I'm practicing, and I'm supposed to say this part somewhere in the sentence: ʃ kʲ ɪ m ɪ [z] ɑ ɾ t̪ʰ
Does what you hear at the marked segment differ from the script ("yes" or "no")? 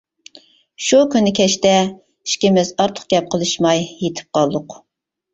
no